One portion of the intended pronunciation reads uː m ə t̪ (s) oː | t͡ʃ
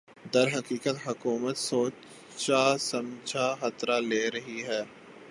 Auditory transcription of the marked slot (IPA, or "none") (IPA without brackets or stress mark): s